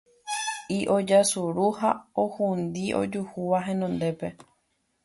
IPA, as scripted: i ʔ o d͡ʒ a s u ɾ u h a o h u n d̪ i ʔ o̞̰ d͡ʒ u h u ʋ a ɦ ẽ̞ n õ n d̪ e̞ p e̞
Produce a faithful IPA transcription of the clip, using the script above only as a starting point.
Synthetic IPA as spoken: i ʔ o d͡ʒ a s u ɾ u h a o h u n d̪ i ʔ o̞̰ d͡ʒ u h u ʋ a ɦ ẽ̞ n õ n d̪ e̞ p e̞